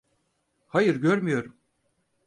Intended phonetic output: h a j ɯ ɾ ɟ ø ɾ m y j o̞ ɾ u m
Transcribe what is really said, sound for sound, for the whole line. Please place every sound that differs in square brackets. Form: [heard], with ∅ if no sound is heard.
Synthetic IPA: h a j ɯ ɾ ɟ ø ɾ m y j o̞ ɾ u m

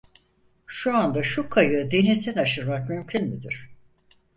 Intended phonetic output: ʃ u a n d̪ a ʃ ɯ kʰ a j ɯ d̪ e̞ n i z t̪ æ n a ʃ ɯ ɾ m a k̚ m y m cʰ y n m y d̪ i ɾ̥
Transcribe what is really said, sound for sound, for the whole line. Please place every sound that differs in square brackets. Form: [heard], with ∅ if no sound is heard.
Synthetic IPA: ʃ u a n d̪ a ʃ [u] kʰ a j ɯ d̪ e̞ n i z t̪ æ n a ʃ ɯ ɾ m a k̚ m y m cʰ y n m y d̪ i ɾ̥

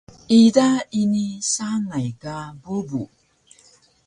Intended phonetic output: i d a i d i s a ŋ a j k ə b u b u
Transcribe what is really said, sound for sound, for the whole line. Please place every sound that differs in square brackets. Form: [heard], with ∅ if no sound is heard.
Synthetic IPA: i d a i [n] i s a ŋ a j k [a] b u b u

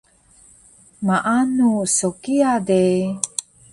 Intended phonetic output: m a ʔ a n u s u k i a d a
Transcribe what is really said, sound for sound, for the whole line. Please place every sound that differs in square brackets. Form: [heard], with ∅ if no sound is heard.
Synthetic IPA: m a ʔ a n u s [o] k i a d [e]

